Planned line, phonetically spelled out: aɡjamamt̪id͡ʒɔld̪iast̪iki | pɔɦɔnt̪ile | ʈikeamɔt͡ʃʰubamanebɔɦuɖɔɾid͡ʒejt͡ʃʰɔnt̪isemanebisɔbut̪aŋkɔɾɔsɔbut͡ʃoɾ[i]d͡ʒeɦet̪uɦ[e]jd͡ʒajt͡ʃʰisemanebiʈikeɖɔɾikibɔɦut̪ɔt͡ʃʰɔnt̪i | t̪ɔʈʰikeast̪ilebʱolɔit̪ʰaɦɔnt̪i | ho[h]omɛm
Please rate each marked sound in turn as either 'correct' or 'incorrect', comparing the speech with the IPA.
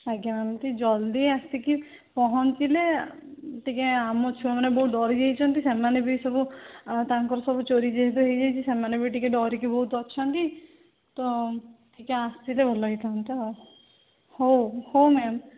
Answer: correct, correct, correct

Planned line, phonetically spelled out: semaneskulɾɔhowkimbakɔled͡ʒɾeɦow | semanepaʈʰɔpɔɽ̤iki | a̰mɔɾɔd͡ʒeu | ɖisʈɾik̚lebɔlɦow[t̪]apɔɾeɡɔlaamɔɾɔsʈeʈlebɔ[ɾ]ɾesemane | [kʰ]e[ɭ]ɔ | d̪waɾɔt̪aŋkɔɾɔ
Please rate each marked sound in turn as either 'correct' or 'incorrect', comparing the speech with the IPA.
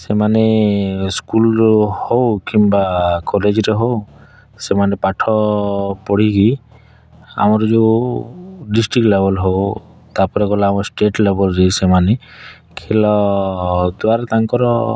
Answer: correct, incorrect, correct, incorrect

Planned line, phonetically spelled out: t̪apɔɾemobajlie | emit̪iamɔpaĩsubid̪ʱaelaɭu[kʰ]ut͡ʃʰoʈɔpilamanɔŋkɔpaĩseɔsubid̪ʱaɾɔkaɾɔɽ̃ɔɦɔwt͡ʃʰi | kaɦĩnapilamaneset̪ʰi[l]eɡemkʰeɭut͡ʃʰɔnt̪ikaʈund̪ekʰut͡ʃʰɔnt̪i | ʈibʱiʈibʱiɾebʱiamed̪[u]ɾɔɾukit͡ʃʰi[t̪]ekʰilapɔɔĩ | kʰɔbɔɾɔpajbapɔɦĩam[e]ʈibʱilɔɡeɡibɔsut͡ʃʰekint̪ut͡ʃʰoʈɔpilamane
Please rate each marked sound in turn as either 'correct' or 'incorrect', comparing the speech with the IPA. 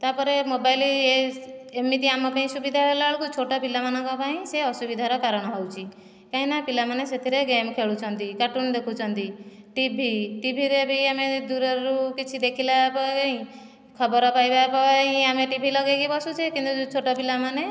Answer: incorrect, incorrect, correct, incorrect, correct

